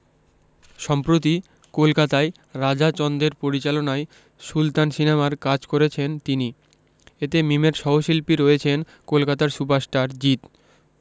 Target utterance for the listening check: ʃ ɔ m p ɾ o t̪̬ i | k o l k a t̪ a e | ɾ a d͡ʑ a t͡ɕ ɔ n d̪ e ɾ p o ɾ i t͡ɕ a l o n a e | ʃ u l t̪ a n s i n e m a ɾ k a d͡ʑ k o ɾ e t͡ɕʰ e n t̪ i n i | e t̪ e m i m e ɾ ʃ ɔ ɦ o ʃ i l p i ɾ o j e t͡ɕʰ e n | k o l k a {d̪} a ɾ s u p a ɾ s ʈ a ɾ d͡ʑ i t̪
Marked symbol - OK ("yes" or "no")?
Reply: no